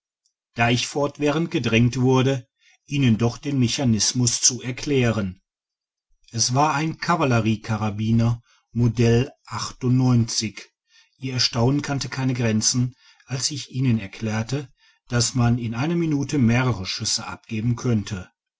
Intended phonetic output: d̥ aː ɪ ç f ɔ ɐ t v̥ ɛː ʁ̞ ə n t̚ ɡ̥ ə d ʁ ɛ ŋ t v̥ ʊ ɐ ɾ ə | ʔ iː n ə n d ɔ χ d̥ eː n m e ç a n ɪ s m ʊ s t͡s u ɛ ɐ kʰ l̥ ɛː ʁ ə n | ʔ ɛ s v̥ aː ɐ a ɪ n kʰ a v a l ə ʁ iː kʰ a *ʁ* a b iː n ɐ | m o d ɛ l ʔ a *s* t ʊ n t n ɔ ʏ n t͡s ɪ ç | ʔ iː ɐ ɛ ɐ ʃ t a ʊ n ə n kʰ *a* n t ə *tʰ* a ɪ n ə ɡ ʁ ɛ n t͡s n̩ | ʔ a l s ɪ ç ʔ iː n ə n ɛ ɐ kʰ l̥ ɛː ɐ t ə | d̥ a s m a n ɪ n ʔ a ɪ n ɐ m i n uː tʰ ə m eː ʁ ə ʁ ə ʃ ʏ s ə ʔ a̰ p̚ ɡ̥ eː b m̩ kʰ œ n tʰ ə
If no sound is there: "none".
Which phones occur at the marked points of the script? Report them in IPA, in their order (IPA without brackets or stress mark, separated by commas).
ʁ, χ, a, kʰ